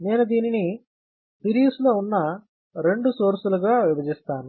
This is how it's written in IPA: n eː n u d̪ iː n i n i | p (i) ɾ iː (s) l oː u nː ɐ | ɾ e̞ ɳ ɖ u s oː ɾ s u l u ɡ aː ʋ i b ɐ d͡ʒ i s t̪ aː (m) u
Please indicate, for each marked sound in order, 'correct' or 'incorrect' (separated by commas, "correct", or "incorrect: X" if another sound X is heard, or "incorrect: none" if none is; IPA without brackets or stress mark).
correct, correct, incorrect: n